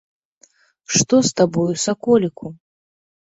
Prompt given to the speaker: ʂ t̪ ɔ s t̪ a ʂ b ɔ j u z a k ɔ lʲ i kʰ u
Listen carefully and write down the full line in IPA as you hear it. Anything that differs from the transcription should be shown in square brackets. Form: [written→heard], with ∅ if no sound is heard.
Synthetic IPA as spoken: ʂ t̪ ɔ s t̪ a [ʂ→∅] b ɔ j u [z→s] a k ɔ lʲ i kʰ u